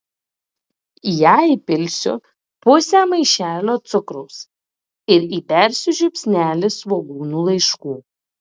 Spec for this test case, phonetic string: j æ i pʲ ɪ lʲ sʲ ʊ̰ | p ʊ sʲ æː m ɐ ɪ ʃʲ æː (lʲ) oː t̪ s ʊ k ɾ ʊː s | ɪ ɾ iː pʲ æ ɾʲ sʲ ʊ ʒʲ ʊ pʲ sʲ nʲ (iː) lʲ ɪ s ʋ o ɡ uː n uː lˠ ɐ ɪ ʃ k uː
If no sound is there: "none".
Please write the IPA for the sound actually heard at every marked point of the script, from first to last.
lʲ, æː

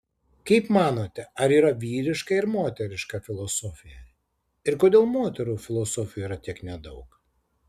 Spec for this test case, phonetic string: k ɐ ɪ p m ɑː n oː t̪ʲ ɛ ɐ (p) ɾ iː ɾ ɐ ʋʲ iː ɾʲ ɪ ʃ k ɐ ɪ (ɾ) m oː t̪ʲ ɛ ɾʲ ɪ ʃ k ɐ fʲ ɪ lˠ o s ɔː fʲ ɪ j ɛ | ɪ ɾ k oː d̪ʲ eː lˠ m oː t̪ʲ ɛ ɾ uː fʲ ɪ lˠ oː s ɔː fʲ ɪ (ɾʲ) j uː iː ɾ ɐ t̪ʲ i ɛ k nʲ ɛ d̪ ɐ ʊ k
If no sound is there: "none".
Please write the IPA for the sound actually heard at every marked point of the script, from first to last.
none, ɾ, none

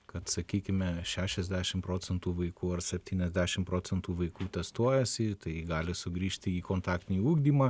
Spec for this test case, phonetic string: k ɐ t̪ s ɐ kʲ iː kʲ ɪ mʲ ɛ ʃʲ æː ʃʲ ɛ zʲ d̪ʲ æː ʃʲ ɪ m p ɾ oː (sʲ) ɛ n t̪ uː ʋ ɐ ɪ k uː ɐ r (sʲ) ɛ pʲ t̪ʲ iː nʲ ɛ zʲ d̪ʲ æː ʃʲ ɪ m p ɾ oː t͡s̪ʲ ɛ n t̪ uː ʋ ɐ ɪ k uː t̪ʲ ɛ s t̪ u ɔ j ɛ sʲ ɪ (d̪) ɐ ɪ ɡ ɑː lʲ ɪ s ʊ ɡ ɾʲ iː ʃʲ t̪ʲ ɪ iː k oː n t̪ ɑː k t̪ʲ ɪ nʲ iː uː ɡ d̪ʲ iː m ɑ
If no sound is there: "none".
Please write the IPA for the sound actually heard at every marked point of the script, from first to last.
t͡sʲ, sʲ, t̪

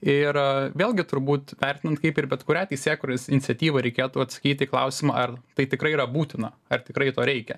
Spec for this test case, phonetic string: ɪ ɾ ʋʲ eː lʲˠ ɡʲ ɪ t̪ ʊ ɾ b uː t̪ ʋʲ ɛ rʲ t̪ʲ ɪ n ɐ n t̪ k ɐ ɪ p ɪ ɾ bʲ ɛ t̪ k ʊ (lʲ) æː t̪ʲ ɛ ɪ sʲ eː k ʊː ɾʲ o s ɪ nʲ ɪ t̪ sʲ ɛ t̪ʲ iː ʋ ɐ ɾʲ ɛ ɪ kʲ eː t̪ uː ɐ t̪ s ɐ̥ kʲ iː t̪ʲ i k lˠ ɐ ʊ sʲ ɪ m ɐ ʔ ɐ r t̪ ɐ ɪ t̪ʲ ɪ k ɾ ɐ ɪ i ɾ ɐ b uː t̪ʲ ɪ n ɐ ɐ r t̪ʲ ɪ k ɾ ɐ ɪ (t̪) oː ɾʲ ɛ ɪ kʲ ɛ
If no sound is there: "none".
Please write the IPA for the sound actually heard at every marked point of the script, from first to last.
ɾʲ, t̪

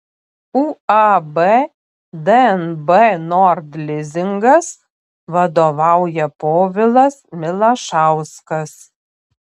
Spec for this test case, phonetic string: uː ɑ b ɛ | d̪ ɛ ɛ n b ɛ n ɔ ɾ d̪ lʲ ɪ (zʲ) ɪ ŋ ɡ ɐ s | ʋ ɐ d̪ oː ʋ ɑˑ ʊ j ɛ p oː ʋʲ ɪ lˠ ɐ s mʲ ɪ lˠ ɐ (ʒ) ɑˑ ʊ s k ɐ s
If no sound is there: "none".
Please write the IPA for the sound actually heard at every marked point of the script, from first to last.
zʲ, ʃ

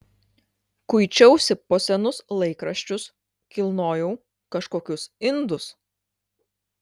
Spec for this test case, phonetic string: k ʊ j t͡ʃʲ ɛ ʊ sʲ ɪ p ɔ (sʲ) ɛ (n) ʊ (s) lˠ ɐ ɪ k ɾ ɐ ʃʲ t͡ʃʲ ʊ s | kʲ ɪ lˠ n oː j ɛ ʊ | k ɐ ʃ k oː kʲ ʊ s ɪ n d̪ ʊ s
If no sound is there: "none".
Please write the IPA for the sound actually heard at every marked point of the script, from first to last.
sʲ, n, s

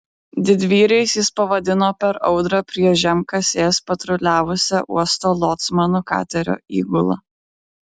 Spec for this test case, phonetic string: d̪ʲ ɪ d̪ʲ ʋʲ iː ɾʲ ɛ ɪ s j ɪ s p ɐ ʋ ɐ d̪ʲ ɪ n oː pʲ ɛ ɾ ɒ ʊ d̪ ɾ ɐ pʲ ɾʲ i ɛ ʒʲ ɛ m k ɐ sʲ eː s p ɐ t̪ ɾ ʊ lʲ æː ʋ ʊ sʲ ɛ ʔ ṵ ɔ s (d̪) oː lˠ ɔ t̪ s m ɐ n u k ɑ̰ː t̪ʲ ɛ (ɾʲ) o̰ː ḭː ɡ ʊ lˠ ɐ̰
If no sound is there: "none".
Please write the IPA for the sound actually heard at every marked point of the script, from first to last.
t̪, ɾʲ

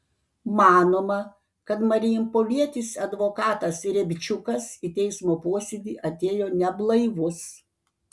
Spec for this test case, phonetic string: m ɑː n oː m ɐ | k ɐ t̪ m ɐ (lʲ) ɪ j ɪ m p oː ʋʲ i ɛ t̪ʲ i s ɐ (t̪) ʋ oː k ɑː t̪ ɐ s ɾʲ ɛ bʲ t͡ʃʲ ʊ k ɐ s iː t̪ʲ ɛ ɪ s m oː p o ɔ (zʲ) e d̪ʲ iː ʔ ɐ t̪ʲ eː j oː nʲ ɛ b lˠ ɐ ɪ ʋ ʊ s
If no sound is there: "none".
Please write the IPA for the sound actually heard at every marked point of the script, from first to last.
ɾʲ, d̪, sʲ

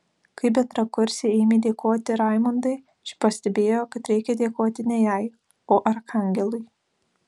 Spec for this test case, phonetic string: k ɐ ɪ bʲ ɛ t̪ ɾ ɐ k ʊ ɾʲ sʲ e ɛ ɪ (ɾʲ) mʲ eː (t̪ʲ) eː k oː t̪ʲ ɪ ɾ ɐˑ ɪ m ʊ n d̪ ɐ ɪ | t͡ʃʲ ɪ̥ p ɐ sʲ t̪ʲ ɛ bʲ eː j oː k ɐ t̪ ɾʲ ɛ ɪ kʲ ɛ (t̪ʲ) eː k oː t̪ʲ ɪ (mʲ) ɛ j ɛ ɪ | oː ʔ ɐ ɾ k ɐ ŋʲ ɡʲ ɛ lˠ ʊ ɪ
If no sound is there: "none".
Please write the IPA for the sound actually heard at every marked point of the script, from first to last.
none, d̪ʲ, d̪ʲ, nʲ

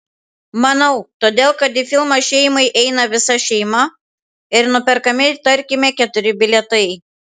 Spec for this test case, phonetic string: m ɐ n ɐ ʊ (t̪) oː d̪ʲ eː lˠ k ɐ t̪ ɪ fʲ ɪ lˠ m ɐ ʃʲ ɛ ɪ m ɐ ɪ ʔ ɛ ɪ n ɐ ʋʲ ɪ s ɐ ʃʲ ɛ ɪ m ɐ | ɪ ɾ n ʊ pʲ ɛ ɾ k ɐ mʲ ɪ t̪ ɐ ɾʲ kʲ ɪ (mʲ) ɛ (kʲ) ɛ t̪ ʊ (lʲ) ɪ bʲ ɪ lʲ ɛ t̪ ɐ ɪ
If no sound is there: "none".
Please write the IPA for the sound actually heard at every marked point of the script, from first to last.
t̪, mʲ, kʲ, ɾʲ

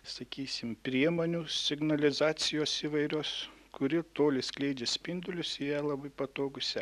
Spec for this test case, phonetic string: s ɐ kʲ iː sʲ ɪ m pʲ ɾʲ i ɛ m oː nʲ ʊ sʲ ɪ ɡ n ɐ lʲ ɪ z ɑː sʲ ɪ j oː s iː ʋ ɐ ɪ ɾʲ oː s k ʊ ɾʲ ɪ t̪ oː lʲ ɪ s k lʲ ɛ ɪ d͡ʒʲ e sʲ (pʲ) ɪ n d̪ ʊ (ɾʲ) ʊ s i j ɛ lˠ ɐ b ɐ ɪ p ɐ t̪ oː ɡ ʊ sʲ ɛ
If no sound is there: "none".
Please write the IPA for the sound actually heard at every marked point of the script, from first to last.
pʲ, lʲ

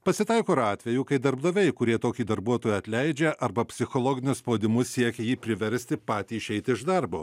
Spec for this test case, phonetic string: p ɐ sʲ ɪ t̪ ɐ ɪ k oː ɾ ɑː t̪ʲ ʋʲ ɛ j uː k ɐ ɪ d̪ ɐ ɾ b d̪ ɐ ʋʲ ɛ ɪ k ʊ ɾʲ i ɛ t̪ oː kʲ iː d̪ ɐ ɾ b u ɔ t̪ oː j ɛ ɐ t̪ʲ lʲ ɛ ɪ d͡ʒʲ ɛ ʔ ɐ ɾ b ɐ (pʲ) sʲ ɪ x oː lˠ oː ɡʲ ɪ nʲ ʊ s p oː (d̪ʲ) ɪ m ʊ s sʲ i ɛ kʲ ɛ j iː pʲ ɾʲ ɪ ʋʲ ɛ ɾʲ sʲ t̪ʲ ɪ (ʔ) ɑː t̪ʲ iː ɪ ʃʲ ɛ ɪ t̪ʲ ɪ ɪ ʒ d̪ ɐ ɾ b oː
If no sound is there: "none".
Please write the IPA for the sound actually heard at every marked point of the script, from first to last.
pʲ, d̪ʲ, p

